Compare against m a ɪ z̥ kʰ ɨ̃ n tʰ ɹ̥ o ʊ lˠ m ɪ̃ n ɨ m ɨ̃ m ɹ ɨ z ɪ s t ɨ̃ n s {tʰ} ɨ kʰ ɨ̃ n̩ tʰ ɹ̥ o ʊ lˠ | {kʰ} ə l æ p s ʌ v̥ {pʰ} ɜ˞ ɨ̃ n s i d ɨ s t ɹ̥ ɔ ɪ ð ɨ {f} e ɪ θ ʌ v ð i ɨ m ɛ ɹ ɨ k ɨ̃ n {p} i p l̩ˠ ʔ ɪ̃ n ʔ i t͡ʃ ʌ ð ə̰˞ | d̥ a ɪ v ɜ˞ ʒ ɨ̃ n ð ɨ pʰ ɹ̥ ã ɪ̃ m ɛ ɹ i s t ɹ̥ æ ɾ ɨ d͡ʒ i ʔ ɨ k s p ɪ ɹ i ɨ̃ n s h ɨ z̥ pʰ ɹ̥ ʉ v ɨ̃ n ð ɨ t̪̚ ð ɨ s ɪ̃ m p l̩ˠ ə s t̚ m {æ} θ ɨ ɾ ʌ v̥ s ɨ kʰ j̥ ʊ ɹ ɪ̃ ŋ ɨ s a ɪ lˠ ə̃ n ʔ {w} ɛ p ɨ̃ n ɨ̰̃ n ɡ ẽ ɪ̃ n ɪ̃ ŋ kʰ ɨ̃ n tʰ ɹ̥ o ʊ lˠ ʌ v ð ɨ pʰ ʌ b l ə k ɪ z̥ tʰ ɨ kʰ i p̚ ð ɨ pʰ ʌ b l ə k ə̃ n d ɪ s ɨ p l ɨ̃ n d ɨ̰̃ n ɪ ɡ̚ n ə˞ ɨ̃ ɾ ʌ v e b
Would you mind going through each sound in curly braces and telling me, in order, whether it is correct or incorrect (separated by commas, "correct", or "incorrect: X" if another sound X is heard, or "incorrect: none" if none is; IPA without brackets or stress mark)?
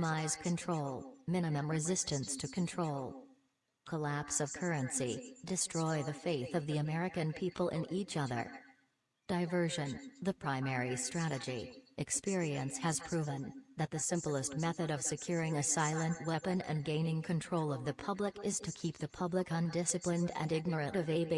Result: correct, correct, incorrect: kʰ, correct, incorrect: pʰ, incorrect: ɛ, correct